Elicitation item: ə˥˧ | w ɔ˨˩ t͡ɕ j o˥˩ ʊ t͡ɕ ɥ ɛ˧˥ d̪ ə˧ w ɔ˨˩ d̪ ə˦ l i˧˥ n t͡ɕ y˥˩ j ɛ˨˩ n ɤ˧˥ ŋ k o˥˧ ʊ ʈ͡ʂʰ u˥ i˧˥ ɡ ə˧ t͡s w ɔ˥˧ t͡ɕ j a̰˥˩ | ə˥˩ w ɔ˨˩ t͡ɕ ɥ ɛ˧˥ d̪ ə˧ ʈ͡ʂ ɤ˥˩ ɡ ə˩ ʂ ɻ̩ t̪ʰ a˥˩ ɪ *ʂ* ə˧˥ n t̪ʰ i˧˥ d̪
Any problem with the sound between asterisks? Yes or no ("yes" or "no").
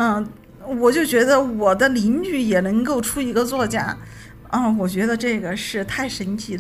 no